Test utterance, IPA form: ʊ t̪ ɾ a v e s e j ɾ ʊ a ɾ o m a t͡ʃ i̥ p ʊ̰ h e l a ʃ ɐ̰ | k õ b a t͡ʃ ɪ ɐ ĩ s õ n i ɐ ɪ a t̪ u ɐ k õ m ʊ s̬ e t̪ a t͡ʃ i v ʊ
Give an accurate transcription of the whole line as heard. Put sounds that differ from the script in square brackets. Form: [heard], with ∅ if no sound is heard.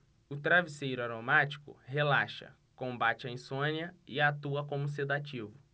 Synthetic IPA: ʊ t̪ ɾ a v [i] s e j ɾ ʊ a ɾ o m a t͡ʃ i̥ [k] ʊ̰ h e l a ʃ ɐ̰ | k õ b a t͡ʃ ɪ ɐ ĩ s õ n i ɐ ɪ a t̪ u ɐ k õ m ʊ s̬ e [d̪] a t͡ʃ i v ʊ